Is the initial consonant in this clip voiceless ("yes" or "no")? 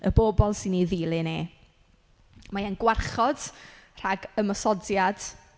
no